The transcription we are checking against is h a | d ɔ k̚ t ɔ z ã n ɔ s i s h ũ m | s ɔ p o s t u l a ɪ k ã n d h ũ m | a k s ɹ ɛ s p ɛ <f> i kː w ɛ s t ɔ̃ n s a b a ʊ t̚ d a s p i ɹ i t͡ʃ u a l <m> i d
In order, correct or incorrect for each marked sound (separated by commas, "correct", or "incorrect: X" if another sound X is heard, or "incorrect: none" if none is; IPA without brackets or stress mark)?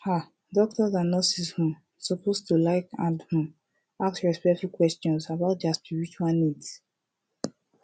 correct, incorrect: n